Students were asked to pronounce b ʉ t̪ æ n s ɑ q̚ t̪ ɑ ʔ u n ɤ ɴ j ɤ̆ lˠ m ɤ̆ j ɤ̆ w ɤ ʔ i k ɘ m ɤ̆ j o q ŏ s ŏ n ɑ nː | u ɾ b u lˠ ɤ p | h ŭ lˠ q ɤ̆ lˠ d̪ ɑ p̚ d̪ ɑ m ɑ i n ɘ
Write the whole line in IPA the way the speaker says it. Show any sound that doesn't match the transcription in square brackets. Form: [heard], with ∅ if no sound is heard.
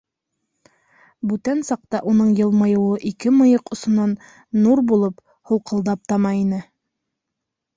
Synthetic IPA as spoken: b ʉ t̪ æ n s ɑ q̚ t̪ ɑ ʔ u n ɤ ɴ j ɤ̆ lˠ m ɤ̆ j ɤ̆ w ɤ ʔ i k ɘ m ɤ̆ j [ɤ] q ŏ s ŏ n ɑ nː | u ɾ b u lˠ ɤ p | h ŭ lˠ q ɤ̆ lˠ d̪ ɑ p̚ [t̪] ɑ m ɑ i n ɘ